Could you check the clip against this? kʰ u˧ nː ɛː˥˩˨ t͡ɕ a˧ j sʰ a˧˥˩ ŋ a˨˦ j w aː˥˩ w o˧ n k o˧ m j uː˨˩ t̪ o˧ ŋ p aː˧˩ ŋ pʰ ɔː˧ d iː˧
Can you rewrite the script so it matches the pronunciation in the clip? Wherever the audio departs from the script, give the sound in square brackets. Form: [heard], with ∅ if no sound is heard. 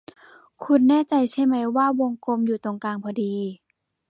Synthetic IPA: kʰ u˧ nː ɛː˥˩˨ t͡ɕ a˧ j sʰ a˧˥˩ [m] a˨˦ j w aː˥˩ w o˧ [ŋ] k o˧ m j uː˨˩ t̪ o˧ ŋ [k] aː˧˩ ŋ pʰ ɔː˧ d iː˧